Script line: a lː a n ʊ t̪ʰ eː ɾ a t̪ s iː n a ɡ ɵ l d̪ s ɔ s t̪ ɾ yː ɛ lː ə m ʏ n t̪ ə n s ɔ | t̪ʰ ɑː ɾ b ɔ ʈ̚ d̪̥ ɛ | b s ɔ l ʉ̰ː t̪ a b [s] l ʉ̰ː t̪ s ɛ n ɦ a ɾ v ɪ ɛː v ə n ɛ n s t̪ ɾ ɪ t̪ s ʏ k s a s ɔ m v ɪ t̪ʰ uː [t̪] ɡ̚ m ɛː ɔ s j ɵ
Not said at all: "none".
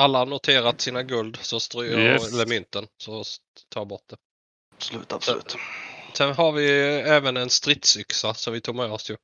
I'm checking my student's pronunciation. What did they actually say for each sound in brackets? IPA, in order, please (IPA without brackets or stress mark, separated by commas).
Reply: s, none